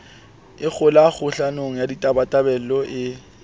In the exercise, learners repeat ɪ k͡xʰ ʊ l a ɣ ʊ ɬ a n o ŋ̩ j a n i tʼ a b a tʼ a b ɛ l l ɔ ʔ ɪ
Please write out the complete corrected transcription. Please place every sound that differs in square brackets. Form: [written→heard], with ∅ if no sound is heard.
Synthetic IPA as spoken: ɪ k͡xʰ ʊ l a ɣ ʊ ɬ a n o ŋ̩ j a [n→d] i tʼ a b a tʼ a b ɛ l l ɔ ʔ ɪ